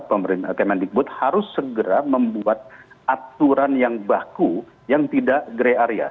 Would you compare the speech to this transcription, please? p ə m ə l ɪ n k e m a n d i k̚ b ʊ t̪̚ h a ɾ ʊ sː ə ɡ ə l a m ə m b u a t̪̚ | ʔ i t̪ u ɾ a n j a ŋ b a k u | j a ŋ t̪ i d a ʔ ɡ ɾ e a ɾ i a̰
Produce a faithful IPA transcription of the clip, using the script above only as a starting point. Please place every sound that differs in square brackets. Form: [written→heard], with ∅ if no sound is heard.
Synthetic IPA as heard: p ə m ə [l→ɾ] ɪ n k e m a n d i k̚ b ʊ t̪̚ h a ɾ ʊ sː ə ɡ ə [l→ɾ] a m ə m b u a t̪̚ | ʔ [i→a] t̪ u ɾ a n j a ŋ b a k u | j a ŋ t̪ i d a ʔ ɡ ɾ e a ɾ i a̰